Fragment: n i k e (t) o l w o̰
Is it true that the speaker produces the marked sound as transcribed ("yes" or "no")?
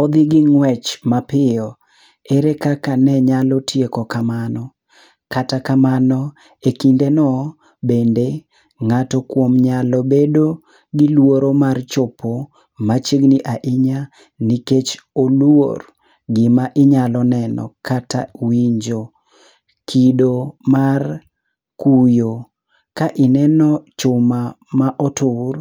no